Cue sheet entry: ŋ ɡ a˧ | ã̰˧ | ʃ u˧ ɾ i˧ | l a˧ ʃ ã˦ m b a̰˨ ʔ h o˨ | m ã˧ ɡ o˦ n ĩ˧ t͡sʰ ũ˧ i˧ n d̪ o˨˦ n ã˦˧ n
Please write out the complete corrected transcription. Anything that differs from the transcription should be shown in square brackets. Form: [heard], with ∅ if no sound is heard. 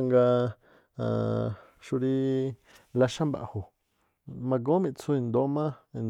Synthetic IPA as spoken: ŋ ɡ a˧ | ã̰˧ | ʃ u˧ ɾ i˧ | l a˧ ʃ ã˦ m b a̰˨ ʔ h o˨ | m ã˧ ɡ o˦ [m] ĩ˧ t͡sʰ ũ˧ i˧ n d̪ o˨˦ [m] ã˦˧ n